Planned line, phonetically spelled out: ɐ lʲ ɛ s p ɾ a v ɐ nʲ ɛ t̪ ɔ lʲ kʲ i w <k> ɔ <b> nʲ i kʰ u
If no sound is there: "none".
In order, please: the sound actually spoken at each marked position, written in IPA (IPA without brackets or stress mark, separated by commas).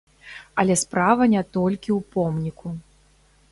p, m